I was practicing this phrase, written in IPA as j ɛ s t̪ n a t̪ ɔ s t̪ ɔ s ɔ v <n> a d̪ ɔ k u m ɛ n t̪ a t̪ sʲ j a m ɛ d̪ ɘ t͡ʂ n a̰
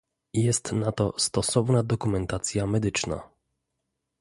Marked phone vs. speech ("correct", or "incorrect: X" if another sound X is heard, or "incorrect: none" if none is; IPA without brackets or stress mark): correct